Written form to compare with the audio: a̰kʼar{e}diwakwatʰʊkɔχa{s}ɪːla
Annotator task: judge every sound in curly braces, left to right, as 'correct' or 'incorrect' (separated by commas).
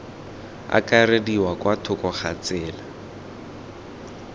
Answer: correct, incorrect